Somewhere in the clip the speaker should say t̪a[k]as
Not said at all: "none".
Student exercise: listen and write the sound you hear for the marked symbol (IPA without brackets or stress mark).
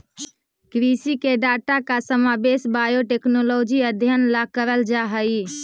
k